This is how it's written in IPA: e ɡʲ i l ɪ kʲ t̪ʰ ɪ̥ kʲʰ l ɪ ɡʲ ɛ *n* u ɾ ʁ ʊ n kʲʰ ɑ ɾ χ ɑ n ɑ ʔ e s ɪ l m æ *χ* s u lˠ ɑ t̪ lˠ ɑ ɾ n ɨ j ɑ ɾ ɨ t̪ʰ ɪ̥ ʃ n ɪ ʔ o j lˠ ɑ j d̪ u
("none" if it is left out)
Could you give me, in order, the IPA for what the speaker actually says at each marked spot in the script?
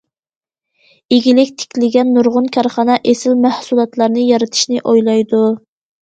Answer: nː, h

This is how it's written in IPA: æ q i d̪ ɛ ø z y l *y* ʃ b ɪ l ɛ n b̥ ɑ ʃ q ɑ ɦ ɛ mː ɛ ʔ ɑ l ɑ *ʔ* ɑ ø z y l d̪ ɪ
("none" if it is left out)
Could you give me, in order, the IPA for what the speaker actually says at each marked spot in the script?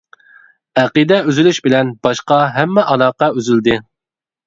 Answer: y, q

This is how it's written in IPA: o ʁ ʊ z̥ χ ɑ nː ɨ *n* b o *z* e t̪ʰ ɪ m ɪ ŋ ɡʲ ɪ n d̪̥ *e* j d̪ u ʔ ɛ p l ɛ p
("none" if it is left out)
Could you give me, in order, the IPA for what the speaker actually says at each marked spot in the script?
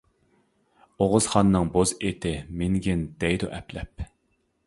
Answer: ŋ, z, ɛ

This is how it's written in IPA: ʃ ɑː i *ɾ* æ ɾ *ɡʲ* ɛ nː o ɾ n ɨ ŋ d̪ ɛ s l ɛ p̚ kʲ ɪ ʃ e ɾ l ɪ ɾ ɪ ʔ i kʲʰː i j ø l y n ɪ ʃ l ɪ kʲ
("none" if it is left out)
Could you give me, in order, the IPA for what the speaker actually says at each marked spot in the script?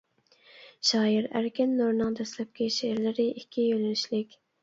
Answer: ɾ, kʲ

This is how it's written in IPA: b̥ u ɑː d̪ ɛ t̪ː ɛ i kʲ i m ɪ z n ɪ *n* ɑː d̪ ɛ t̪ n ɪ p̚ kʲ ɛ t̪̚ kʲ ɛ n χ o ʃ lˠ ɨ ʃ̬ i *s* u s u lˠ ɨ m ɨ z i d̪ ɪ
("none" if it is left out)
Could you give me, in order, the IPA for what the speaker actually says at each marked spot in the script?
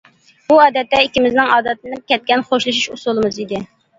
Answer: ŋ, ʃ

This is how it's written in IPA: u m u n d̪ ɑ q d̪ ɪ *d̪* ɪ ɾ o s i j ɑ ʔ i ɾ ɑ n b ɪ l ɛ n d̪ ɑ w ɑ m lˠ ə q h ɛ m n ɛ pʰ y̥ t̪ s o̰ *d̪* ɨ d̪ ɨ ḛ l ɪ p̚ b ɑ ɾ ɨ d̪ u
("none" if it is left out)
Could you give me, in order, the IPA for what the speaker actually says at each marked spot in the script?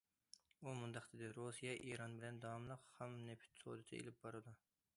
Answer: d̪, d̪

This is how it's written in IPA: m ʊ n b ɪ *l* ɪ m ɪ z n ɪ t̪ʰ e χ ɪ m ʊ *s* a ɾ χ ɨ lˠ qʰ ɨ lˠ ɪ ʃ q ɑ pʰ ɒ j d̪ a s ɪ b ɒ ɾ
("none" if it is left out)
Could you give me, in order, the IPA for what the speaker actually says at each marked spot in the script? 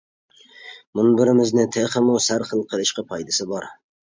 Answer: ɾ, s

